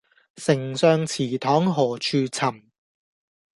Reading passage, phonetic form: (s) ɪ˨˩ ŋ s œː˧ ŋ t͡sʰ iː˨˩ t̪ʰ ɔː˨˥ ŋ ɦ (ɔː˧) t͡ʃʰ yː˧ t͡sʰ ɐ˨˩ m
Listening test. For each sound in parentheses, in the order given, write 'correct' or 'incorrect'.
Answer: correct, incorrect: ɔː˨˩

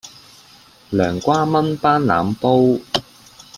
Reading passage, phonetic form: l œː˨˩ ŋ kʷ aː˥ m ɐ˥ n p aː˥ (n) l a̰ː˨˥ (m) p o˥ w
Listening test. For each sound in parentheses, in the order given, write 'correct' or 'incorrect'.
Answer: correct, correct

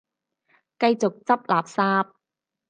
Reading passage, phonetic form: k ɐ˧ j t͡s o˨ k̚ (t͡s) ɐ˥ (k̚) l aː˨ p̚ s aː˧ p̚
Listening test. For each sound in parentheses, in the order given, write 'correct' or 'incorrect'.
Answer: correct, incorrect: p̚

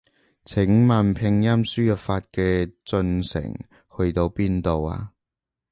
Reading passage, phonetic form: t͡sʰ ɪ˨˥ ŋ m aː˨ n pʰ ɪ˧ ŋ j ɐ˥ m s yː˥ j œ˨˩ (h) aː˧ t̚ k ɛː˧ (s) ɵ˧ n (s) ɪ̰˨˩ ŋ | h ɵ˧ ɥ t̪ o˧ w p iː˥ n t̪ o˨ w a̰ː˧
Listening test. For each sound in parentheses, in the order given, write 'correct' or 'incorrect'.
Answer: incorrect: f, incorrect: t͡s, correct

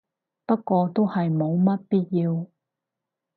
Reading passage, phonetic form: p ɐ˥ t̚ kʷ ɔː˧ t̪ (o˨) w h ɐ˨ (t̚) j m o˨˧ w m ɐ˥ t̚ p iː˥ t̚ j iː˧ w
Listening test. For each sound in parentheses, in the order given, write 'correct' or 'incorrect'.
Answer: incorrect: o˥, incorrect: none

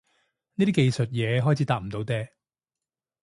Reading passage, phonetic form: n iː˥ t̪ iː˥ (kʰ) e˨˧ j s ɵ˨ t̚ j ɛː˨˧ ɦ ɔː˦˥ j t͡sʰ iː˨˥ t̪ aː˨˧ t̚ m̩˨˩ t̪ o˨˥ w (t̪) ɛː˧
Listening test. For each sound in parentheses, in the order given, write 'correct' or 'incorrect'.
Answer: incorrect: k, correct

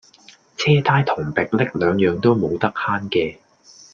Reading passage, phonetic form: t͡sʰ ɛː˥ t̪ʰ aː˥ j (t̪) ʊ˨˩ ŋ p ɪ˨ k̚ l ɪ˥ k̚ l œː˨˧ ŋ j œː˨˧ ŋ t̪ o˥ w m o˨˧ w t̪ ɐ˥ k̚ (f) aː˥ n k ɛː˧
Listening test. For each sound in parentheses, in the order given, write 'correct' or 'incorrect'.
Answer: incorrect: t̪ʰ, incorrect: h

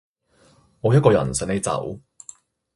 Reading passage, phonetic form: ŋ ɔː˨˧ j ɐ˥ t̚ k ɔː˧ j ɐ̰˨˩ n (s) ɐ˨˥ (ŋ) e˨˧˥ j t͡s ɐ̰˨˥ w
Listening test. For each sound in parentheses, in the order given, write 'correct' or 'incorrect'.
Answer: correct, incorrect: n

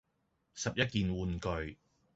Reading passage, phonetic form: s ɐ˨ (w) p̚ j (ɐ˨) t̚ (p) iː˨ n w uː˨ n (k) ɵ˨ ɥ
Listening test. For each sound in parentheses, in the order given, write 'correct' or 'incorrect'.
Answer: incorrect: none, incorrect: ɐ˥, incorrect: k, correct

